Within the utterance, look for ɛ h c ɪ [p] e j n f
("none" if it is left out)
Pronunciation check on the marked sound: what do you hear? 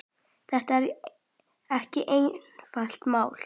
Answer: ʔ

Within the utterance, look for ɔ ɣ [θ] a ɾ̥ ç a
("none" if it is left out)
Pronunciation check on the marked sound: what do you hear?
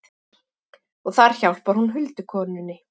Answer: θ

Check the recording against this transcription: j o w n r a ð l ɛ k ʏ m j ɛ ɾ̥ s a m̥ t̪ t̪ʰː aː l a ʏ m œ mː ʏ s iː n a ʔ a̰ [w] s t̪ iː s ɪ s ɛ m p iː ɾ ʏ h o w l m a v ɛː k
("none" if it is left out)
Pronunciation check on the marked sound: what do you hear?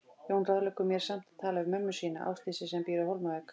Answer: w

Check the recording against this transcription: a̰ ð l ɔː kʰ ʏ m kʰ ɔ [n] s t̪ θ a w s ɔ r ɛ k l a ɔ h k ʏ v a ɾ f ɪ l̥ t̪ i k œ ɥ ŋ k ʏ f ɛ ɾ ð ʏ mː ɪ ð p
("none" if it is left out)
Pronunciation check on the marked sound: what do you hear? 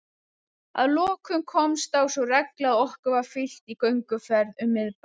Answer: m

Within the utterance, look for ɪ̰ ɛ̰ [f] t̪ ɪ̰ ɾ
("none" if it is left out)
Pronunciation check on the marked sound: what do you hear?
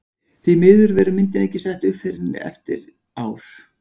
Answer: f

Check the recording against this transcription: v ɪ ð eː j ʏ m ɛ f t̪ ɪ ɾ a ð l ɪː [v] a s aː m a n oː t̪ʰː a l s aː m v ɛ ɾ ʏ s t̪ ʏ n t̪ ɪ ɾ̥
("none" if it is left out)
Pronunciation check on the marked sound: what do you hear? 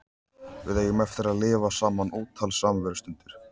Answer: v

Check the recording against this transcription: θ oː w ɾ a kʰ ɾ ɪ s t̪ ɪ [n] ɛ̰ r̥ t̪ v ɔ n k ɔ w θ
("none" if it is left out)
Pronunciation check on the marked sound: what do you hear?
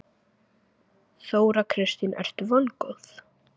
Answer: n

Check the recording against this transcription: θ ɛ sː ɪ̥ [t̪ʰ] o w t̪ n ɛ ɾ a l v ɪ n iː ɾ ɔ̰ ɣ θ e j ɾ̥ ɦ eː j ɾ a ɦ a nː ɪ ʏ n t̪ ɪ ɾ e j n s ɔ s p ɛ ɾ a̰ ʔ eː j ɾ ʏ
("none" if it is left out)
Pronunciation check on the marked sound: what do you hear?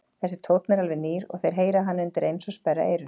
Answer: t̪ʰ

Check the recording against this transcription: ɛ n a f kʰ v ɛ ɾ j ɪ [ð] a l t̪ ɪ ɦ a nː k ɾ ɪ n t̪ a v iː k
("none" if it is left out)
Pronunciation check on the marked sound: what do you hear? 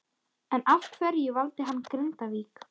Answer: v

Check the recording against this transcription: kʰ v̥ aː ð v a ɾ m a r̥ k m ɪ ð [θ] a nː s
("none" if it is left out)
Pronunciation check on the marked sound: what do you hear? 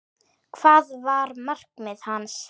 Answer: h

